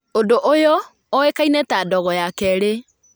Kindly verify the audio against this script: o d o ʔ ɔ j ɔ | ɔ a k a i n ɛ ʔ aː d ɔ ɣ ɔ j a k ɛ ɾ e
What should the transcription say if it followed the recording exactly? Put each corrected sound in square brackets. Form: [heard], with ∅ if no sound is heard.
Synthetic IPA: o d o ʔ [o] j ɔ | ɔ [e] k a i n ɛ [t] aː d ɔ ɣ ɔ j a k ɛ ɾ e